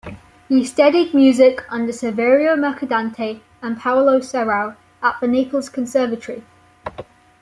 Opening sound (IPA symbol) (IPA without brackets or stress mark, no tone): h